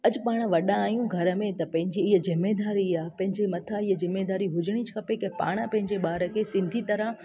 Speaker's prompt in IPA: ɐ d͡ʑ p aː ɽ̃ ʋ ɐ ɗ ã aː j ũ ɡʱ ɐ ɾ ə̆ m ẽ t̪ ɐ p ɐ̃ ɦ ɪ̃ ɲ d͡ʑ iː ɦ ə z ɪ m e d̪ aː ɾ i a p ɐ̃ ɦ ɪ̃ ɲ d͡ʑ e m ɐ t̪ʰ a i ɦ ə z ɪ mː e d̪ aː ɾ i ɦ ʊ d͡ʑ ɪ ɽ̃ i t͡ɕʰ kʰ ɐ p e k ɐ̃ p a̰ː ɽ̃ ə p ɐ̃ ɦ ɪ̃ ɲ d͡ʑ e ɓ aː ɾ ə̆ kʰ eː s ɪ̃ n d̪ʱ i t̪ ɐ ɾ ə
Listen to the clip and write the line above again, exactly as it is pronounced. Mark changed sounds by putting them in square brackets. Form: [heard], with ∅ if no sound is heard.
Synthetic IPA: ɐ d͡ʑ p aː ɽ̃ ʋ ɐ ɗ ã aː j ũ ɡʱ ɐ ɾ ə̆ m ẽ t̪ ɐ p ɐ̃ ɦ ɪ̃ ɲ d͡ʑ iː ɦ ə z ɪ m e d̪ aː ɾ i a p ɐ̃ ɦ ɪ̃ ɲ d͡ʑ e m ɐ t̪ʰ a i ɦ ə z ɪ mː e d̪ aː ɾ i ɦ ʊ d͡ʑ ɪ ɽ̃ i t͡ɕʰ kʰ ɐ p e k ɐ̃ p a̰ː ɽ̃ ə p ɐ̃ ɦ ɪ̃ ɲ d͡ʑ e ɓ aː ɾ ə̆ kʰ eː s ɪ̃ n d̪ʱ i t̪ ɐ ɾ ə